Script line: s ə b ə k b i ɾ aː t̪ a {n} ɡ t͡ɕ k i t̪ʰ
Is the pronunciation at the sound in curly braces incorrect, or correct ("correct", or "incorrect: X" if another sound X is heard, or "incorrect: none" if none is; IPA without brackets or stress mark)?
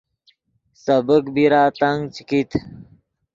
incorrect: ŋ